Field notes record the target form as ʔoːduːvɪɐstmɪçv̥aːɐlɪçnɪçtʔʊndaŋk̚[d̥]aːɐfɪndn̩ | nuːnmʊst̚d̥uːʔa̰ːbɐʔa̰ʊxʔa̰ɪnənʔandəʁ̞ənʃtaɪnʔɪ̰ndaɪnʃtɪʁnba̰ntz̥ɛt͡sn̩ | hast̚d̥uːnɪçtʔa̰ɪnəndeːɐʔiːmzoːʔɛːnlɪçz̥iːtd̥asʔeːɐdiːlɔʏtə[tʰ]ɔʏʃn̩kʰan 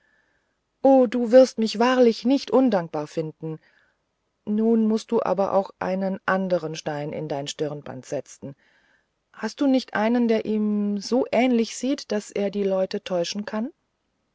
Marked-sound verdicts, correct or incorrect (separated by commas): incorrect, correct